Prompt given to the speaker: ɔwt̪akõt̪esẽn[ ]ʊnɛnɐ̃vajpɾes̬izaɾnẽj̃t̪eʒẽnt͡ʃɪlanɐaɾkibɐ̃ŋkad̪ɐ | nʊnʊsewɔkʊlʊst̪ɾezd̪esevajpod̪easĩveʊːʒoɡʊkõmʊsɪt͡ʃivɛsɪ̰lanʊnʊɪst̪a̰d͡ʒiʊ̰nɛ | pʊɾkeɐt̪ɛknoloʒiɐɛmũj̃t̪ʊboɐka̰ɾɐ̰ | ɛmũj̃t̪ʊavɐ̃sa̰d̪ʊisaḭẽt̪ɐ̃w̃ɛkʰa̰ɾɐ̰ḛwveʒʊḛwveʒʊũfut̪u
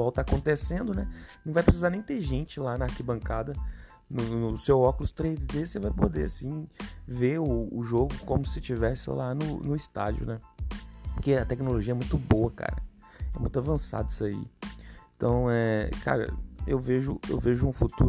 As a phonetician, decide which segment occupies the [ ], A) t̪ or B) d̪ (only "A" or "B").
B